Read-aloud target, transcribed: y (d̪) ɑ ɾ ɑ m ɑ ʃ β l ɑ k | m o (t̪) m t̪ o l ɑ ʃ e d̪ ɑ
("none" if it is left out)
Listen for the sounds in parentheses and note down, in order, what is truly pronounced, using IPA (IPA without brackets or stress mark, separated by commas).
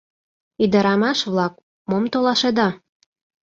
d̪, none